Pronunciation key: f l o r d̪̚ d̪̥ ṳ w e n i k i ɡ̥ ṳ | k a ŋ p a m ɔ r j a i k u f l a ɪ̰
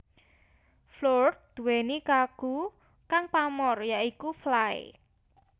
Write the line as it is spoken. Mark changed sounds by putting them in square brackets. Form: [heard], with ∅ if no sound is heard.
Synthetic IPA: f l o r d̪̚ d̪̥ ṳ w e n i k [a] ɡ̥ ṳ | k a ŋ p a m ɔ r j a i k u f l a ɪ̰